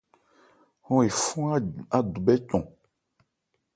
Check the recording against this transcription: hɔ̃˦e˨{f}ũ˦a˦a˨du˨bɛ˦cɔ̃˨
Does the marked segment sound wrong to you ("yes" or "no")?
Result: no